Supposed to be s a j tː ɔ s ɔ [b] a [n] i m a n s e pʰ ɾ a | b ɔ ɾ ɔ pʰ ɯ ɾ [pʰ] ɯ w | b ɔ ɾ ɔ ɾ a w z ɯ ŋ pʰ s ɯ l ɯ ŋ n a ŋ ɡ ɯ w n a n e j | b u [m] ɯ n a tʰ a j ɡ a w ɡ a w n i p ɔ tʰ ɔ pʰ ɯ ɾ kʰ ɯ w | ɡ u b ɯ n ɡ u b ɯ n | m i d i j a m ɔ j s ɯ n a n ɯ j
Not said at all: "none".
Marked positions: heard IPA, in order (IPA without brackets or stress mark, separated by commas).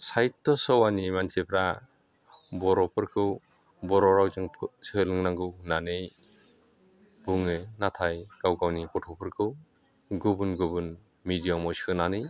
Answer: w, n, kʰ, ŋ